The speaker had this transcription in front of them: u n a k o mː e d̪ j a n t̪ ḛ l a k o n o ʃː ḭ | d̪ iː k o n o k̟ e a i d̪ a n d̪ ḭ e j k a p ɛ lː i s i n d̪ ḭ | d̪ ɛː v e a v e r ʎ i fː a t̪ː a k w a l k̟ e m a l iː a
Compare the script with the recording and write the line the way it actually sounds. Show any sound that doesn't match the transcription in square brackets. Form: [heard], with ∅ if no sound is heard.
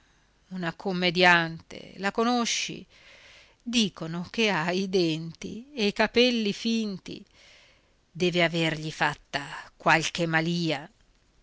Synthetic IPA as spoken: u n a k o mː e d̪ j a n t̪ ḛ l a k o n o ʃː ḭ | d̪ iː k o n o k̟ e a i d̪ [ɛ] n [t̪] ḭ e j k a p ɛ lː i [f] i n [t̪] ḭ | d̪ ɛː v e a v e r ʎ i [f] a t̪ː a k w a l k̟ e m a l iː a